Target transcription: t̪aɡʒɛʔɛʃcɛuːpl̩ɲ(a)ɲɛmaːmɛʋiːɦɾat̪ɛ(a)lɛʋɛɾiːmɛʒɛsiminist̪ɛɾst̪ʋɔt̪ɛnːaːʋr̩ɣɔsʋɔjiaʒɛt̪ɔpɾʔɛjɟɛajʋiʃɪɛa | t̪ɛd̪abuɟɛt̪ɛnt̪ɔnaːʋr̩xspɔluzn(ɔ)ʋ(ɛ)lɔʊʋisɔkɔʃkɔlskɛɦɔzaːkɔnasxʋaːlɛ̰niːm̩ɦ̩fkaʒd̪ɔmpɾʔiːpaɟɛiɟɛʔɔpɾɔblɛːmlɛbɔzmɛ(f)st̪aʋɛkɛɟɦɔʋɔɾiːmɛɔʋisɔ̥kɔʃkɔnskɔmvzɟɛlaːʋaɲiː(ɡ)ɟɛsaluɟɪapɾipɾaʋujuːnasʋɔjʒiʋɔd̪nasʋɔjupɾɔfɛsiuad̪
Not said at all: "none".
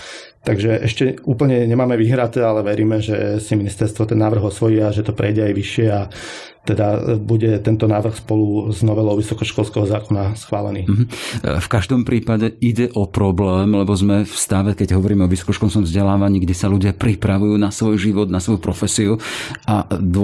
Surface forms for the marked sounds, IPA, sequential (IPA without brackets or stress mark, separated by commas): ɛ, a, ɔ, ɛ, f, ɡ